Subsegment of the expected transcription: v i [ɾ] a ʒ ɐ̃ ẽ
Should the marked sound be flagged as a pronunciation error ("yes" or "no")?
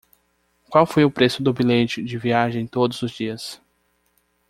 yes